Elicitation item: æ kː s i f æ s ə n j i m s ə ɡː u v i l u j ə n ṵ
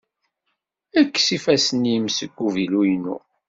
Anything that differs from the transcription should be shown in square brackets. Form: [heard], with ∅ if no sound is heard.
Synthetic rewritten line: æ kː s i f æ s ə n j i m s ə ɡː u v i l u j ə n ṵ